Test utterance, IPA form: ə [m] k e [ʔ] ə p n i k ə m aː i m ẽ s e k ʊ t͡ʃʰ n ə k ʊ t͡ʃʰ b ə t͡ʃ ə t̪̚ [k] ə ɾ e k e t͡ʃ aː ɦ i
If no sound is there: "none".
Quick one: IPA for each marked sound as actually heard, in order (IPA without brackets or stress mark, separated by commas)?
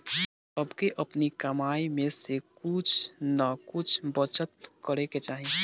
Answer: b, ʔ, k